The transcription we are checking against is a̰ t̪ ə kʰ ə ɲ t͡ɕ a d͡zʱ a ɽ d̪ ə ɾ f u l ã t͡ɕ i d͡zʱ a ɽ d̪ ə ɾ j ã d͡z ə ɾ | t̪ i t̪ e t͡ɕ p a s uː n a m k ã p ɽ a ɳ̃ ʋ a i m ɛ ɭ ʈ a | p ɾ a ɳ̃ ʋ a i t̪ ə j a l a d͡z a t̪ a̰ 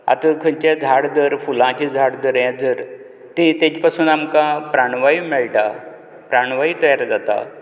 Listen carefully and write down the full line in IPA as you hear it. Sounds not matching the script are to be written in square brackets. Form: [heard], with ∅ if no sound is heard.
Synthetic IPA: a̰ t̪ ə kʰ ə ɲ t͡ɕ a d͡zʱ a ɽ d̪ ə ɾ f u l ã t͡ɕ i d͡zʱ a ɽ d̪ ə ɾ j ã d͡z ə ɾ | t̪ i t̪ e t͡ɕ p a s uː n a m k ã p [ɾ] a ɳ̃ ʋ a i m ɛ ɭ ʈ a | p ɾ a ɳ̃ ʋ a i t̪ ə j a [ɾ] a d͡z a t̪ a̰

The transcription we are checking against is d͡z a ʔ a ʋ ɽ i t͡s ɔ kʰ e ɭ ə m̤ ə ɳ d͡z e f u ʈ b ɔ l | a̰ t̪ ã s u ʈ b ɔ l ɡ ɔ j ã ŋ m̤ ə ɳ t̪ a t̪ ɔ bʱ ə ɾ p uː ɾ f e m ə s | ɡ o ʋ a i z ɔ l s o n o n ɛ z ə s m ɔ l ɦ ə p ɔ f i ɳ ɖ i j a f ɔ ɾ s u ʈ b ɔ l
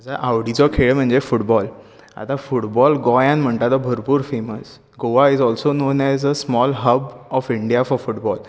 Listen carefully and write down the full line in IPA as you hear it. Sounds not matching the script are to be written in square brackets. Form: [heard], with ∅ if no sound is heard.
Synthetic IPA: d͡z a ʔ a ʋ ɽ i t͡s ɔ kʰ e ɭ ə m̤ ə ɳ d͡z e f u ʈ b ɔ l | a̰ t̪ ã [f] u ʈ b ɔ l ɡ ɔ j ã [n] m̤ ə ɳ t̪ a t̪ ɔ bʱ ə ɾ p uː ɾ f e m ə s | ɡ o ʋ a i z ɔ l s o n o n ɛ z ə s m ɔ l ɦ ə [b] ɔ f i ɳ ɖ i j a f ɔ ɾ [f] u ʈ b ɔ l

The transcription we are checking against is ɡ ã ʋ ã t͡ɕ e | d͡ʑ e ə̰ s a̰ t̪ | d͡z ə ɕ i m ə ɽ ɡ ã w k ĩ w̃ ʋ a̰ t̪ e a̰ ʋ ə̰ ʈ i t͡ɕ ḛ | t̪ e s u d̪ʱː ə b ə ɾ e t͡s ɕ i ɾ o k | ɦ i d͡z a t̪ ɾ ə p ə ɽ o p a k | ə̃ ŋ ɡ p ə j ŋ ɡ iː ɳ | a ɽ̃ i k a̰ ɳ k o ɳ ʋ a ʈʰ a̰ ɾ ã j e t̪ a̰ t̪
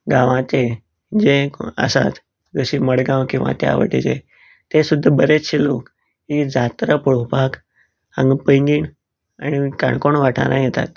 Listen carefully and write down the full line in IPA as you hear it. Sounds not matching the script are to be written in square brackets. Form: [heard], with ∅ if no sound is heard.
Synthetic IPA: ɡ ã ʋ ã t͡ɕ e | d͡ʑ e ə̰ s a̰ t̪ | d͡z ə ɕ i m ə ɽ ɡ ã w k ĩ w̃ ʋ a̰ t̪ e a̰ ʋ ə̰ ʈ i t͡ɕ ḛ | t̪ e s u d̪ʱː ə b ə ɾ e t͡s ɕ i [l] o k | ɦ i d͡z a t̪ ɾ ə p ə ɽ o p a k | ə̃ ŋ ɡ p ə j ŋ ɡ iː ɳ | a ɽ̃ i k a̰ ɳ k o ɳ ʋ a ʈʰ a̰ ɾ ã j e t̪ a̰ t̪

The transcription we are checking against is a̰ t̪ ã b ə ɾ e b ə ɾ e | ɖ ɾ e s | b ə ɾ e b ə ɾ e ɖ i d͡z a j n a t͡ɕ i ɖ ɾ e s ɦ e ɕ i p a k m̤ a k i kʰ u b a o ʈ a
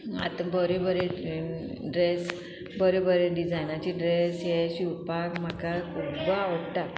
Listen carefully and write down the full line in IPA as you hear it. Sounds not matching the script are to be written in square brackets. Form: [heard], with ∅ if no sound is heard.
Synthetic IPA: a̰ t̪ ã b ə ɾ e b ə ɾ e | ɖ ɾ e s | b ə ɾ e b ə ɾ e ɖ i d͡z a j n a t͡ɕ i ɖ ɾ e s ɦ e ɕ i p a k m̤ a k [a] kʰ u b a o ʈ a

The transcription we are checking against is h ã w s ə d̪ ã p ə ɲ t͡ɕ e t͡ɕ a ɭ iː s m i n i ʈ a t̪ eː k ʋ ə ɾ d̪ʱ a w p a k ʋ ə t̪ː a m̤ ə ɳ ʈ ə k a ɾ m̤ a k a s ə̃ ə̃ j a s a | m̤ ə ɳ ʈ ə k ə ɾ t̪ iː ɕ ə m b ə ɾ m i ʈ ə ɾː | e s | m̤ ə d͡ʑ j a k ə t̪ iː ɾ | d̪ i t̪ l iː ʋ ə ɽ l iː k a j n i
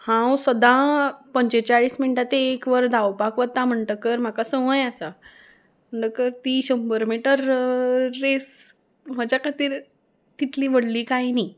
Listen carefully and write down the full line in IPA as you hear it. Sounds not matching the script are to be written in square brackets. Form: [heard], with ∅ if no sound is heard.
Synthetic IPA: h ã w s ə d̪ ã p ə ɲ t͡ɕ e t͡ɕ a ɭ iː s m i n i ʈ a t̪ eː k ʋ ə ɾ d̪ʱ a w p a k ʋ ə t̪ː a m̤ ə ɳ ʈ ə k [ə] ɾ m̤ a k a s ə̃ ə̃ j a s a | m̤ ə ɳ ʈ ə k ə ɾ t̪ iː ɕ ə m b ə ɾ m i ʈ ə ɾː | e s | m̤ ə d͡ʑ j a k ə t̪ iː ɾ | [t̪] i t̪ l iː ʋ ə ɽ l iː k a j n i

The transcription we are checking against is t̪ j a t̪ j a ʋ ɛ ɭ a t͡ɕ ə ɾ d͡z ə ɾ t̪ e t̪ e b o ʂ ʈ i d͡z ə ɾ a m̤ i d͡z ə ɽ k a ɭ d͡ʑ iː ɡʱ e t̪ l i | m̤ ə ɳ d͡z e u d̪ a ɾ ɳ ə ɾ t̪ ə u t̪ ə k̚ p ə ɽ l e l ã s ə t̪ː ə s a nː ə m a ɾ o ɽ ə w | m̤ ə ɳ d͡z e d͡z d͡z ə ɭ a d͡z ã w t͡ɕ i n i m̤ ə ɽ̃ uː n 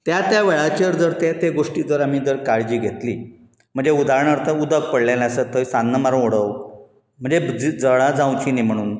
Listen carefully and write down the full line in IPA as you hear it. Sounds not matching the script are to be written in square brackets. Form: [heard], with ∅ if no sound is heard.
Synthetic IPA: t̪ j a t̪ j a ʋ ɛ ɭ a t͡ɕ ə ɾ d͡z ə ɾ t̪ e t̪ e [ɡ] o ʂ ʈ i d͡z ə ɾ a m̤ i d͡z ə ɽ k a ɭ d͡ʑ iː ɡʱ e t̪ l i | m̤ ə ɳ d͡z e u d̪ a ɾ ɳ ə ɾ t̪ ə u [d̪] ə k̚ p ə ɽ l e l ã s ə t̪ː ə s a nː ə m a ɾ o ɽ ə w | m̤ ə ɳ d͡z e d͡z d͡z ə ɭ a d͡z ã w t͡ɕ i n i m̤ ə ɽ̃ uː n

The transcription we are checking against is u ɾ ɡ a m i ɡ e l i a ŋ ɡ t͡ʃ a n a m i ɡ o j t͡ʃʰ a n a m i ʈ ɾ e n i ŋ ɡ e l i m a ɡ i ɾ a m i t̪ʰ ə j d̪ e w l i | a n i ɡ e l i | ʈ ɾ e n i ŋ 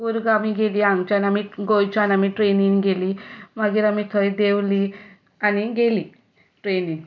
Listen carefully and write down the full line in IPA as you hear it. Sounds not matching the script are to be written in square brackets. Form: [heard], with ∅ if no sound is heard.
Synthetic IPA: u ɾ ɡ a m i ɡ e l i a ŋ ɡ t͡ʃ a n a m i ɡ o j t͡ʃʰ a n a m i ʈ ɾ e n i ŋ ɡ e l i m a ɡ i ɾ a m i t̪ʰ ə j d̪ e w l i | a n i ɡ e l i | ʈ ɾ e n i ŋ

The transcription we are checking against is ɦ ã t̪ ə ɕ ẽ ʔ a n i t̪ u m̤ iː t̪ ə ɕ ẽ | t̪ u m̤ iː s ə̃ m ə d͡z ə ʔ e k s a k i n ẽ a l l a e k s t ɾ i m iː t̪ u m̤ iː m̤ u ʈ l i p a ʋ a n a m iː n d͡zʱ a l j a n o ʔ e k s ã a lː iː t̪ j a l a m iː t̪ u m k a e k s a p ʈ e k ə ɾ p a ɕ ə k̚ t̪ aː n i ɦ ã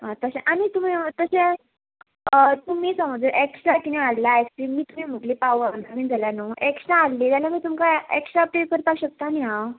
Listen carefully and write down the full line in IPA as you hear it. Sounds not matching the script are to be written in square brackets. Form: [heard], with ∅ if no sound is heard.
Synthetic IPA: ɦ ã t̪ ə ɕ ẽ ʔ a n i t̪ u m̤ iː t̪ ə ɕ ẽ | t̪ u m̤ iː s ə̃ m ə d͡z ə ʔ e k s a k i n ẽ a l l a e k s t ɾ i m iː t̪ u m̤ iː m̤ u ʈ l i p a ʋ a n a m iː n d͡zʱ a l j a n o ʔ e k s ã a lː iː t̪ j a l a m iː t̪ u m k a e k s a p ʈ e k ə ɾ p a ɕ ə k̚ t̪ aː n i ɦ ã

